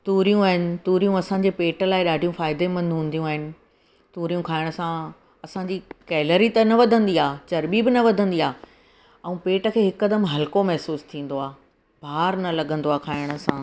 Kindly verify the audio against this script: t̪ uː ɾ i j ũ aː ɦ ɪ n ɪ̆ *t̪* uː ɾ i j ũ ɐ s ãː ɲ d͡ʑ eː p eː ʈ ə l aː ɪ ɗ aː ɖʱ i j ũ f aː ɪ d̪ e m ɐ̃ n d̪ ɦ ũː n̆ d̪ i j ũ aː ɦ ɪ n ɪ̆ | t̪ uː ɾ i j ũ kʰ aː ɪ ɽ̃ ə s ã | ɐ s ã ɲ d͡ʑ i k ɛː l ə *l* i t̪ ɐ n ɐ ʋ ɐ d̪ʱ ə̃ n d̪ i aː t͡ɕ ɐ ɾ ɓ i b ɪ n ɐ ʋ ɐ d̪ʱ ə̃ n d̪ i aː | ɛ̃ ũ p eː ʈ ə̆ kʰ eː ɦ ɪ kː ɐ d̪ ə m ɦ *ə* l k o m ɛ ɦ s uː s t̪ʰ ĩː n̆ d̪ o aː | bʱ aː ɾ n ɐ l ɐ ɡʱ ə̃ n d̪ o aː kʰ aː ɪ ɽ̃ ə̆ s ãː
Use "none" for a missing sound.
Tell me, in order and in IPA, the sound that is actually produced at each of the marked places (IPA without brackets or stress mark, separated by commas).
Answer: t̪, ɾ, ɐ